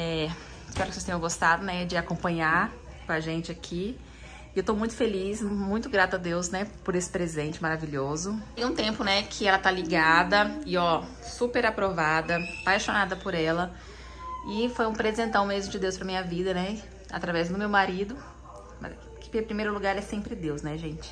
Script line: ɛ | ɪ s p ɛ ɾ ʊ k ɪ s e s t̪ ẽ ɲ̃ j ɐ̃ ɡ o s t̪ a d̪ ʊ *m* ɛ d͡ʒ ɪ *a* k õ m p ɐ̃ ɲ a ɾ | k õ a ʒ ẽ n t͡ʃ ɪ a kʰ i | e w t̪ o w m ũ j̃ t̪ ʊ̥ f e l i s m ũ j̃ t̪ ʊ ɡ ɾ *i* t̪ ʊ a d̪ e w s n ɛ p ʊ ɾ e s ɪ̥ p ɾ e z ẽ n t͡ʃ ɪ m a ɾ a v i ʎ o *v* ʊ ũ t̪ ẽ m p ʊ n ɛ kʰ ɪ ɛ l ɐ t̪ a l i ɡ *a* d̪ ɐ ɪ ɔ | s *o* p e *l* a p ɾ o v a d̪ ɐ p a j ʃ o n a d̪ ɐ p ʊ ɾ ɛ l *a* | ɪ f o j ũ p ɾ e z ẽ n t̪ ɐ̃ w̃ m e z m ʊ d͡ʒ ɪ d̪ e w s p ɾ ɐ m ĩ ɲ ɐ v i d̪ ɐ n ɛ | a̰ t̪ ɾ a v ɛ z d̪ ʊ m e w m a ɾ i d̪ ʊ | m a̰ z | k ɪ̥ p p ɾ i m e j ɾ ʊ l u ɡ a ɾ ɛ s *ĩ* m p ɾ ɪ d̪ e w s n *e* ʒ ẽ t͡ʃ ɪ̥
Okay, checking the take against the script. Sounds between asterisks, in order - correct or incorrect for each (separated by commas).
incorrect, correct, incorrect, incorrect, correct, incorrect, incorrect, incorrect, incorrect, incorrect